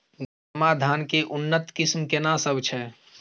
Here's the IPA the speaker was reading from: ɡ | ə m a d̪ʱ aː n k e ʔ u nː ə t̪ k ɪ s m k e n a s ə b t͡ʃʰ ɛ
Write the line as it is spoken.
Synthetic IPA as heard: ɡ | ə m a d̪ʱ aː n k e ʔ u nː ə t̪ k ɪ s m k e n a s ə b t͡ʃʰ ɛ